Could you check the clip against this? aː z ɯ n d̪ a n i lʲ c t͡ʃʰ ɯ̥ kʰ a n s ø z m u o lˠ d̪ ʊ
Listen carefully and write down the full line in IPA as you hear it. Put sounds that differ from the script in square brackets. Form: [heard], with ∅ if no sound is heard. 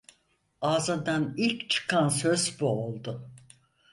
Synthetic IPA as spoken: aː z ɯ n d̪ a n i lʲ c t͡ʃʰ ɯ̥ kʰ a n s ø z [b] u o lˠ d̪ ʊ